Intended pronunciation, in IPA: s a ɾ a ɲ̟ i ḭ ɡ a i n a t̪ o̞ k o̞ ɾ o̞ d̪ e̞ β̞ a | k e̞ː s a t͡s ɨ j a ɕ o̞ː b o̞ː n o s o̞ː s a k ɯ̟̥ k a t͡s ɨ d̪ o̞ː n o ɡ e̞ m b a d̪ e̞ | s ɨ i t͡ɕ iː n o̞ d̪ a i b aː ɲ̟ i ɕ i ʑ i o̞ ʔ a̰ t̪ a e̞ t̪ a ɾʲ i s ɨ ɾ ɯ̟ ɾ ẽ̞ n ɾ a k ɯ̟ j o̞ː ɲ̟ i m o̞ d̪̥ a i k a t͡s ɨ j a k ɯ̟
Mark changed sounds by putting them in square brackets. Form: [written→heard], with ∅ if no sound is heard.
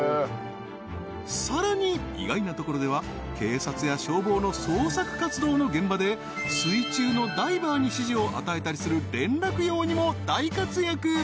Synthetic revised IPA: s a ɾ a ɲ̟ i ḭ ɡ a i n a t̪ o̞ k o̞ ɾ o̞ d̪ e̞ β̞ a | k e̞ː s a t͡s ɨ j a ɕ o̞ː b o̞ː n o s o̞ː s a k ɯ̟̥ k a t͡s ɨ d̪ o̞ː n o ɡ [e̞→ẽ̞] m b a d̪ e̞ | s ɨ i t͡ɕ [iː→ɨː] n o̞ d̪ a i b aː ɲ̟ i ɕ i ʑ i o̞ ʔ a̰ t̪ a e̞ t̪ a ɾʲ i s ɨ ɾ ɯ̟ ɾ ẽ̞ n ɾ a k ɯ̟ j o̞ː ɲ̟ i m o̞ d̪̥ a i k a t͡s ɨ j a k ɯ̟